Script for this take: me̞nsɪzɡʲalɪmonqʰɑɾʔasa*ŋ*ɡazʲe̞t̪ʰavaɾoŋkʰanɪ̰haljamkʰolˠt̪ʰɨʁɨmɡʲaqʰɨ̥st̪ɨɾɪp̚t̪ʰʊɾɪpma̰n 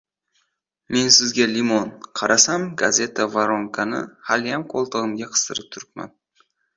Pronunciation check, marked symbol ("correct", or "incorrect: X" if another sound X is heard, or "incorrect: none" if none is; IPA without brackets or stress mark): incorrect: m